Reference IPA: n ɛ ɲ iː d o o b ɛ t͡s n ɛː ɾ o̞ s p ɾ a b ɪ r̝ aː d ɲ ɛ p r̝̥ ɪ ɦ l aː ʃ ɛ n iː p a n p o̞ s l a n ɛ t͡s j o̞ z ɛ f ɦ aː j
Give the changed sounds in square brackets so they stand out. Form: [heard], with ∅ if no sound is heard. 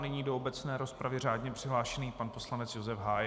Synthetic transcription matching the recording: n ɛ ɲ iː d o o b ɛ t͡s n ɛː ɾ o̞ s p ɾ a [v] ɪ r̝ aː d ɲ ɛ p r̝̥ ɪ ɦ l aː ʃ ɛ n iː p a n p o̞ s l a n ɛ t͡s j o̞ z ɛ f ɦ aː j